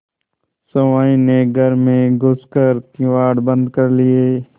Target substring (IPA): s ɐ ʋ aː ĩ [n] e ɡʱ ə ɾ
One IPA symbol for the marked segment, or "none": n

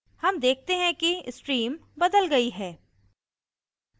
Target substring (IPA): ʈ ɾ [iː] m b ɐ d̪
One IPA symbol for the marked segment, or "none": iː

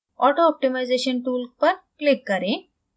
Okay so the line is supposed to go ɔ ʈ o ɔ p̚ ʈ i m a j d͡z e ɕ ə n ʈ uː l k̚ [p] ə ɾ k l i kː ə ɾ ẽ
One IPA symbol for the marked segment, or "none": p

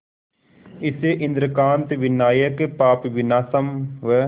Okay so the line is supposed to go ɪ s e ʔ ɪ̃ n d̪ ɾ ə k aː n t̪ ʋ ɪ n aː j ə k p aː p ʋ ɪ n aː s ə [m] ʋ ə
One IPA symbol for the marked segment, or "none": m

